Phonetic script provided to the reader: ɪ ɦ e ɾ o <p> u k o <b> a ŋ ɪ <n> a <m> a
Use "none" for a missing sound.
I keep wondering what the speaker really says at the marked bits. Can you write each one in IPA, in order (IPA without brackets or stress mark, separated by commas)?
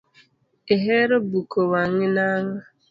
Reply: b, w, n, ŋ